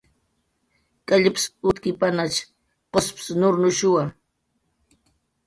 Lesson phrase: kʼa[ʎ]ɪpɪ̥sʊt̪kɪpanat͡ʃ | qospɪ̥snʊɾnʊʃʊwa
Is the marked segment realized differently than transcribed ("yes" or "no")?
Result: no